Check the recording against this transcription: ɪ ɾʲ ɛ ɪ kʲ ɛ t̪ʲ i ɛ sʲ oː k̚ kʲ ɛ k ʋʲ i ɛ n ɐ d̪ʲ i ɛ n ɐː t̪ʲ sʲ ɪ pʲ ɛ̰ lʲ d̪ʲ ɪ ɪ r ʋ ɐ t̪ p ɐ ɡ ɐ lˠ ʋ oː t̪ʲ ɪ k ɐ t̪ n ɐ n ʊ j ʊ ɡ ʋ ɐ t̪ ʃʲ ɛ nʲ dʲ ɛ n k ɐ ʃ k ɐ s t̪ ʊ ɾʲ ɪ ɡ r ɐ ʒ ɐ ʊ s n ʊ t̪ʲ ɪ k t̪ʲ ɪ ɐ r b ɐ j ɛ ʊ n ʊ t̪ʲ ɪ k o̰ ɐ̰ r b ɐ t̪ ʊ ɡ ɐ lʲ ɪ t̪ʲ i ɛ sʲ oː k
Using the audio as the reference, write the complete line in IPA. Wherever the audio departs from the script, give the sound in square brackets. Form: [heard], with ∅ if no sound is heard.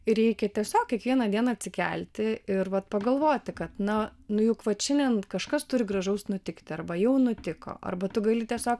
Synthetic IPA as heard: ɪ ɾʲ ɛ ɪ kʲ ɛ t̪ʲ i ɛ sʲ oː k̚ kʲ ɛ k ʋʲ i ɛ n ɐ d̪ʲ i ɛ n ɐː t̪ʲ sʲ ɪ [kʲ] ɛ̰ lʲ [t̪ʲ] ɪ ɪ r ʋ ɐ t̪ p ɐ ɡ ɐ lˠ ʋ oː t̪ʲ ɪ k ɐ t̪ n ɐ n ʊ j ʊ [k] ʋ ɐ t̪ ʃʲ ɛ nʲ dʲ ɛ n k ɐ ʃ k ɐ s t̪ ʊ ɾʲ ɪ ɡ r ɐ ʒ ɐ ʊ s n ʊ t̪ʲ ɪ k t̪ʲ ɪ ɐ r b ɐ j ɛ ʊ n ʊ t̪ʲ ɪ k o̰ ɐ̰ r b ɐ t̪ ʊ ɡ ɐ lʲ ɪ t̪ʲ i ɛ sʲ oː k

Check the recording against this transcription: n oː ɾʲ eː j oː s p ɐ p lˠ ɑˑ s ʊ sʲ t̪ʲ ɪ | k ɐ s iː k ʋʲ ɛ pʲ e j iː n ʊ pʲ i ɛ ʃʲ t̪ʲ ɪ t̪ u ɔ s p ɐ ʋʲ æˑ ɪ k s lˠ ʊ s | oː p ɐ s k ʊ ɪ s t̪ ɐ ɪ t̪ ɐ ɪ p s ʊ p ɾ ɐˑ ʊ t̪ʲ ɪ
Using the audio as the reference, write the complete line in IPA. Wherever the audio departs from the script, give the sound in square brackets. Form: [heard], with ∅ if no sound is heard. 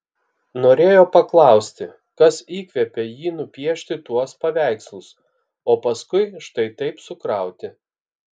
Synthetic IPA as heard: n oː ɾʲ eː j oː [∅] p ɐ [k] lˠ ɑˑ [∅] ʊ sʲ t̪ʲ ɪ | k ɐ s iː k ʋʲ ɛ pʲ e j iː n ʊ pʲ i ɛ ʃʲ t̪ʲ ɪ t̪ u ɔ s p ɐ ʋʲ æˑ ɪ k s lˠ ʊ s | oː p ɐ s k ʊ ɪ [ʃ] t̪ ɐ ɪ t̪ ɐ ɪ p s ʊ [k] ɾ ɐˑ ʊ t̪ʲ ɪ

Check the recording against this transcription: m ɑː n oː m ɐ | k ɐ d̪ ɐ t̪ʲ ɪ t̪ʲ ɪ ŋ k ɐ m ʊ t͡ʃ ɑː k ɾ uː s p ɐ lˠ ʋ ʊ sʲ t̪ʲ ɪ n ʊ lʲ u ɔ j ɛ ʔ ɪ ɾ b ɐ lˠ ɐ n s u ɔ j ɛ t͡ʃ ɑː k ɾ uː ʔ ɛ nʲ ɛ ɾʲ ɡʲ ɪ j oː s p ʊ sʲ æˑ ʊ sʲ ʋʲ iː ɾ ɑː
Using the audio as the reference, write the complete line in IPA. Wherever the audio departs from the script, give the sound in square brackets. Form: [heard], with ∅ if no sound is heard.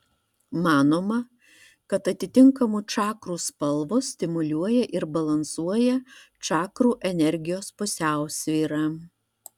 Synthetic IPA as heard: m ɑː n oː m ɐ | k ɐ [t̪] ɐ t̪ʲ ɪ t̪ʲ ɪ ŋ k ɐ m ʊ t͡ʃ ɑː k ɾ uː s p ɐ lˠ ʋ ʊ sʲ t̪ʲ ɪ [m] ʊ lʲ u ɔ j ɛ ʔ ɪ ɾ b ɐ lˠ ɐ n s u ɔ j ɛ t͡ʃ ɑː k ɾ uː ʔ ɛ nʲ ɛ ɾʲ ɡʲ ɪ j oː s p ʊ sʲ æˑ ʊ sʲ ʋʲ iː ɾ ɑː

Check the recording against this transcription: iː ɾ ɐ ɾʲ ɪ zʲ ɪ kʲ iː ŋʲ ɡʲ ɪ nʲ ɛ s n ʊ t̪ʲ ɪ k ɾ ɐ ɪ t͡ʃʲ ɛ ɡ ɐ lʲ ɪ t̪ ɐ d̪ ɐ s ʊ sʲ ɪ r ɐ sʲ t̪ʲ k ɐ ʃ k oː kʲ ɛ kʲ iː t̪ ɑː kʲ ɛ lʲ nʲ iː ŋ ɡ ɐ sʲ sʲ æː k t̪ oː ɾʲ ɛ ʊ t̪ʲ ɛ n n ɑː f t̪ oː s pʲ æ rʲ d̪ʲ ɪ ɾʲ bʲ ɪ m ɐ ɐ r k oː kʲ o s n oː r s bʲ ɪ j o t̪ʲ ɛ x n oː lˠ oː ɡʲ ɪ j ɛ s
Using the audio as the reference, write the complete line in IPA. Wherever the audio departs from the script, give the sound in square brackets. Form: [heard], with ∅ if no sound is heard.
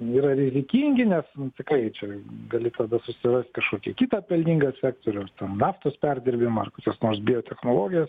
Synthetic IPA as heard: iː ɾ ɐ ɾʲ ɪ zʲ ɪ kʲ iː ŋʲ ɡʲ ɪ nʲ ɛ s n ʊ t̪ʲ ɪ k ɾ ɐ ɪ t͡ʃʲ ɛ ɡ ɐ lʲ ɪ t̪ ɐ d̪ ɐ s ʊ sʲ ɪ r ɐ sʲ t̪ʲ k ɐ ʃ k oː kʲ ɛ kʲ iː t̪ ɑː [pʲ] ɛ lʲ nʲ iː ŋ ɡ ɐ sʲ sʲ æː k t̪ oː ɾʲ ɛ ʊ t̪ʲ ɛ n n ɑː f t̪ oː s pʲ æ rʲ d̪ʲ ɪ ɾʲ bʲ ɪ m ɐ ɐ r k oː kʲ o s n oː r s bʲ ɪ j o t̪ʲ ɛ x n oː lˠ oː ɡʲ ɪ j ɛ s

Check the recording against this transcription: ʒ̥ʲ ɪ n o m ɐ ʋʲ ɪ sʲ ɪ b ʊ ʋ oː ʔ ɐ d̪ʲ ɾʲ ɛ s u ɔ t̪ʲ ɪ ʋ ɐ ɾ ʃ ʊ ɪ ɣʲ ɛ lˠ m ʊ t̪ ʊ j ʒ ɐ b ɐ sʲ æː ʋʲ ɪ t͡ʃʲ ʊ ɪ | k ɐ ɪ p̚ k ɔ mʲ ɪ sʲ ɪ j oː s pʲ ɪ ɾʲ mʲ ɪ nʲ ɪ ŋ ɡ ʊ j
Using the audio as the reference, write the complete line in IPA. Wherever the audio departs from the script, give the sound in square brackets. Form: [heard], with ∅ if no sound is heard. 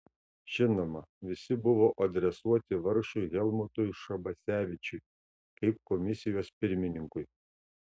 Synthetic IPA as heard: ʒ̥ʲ ɪ n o m ɐ ʋʲ ɪ sʲ ɪ b ʊ ʋ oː ʔ ɐ d̪ʲ ɾʲ ɛ s u ɔ t̪ʲ ɪ ʋ ɐ ɾ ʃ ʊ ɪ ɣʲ ɛ lˠ m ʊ t̪ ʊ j [ʃ] ɐ b ɐ sʲ æː ʋʲ ɪ t͡ʃʲ ʊ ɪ | k ɐ ɪ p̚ k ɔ mʲ ɪ sʲ ɪ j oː s pʲ ɪ ɾʲ mʲ ɪ nʲ ɪ ŋ [k] ʊ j

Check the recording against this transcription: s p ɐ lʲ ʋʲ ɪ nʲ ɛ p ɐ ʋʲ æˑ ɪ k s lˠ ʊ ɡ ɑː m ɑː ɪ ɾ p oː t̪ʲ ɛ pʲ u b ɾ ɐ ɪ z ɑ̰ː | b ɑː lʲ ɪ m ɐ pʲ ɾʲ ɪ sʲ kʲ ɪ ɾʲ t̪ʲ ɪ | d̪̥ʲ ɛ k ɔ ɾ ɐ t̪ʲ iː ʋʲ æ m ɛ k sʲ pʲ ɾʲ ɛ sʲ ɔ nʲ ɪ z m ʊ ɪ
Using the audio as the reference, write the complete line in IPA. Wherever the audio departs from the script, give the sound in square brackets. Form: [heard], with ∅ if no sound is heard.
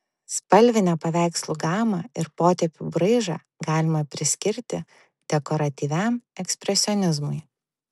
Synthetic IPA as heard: s p ɐ lʲ ʋʲ ɪ nʲ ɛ p ɐ ʋʲ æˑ ɪ k s lˠ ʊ ɡ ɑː m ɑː ɪ ɾ p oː t̪ʲ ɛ pʲ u b ɾ ɐ ɪ [ʒ] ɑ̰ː | [ɡ] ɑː lʲ ɪ m ɐ pʲ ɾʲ ɪ sʲ kʲ ɪ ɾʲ t̪ʲ ɪ | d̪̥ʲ ɛ k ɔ ɾ ɐ t̪ʲ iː ʋʲ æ m ɛ k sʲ pʲ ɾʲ ɛ sʲ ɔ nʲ ɪ z m ʊ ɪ

